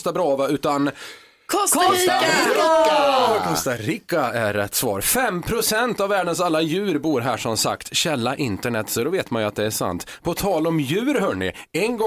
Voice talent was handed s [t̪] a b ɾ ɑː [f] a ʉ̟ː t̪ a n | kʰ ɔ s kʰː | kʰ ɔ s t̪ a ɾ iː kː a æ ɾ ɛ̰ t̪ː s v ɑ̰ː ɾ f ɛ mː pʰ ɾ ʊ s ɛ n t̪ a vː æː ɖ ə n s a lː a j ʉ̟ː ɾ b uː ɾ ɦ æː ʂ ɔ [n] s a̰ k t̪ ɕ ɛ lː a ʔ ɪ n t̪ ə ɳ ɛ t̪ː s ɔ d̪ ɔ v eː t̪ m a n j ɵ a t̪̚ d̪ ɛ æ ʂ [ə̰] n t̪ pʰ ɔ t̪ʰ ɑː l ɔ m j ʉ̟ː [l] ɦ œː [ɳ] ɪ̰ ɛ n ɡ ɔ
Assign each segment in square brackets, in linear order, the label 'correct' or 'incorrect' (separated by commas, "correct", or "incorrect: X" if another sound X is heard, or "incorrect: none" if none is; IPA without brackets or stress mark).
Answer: correct, incorrect: v, incorrect: m, incorrect: a̰, incorrect: ɾ, correct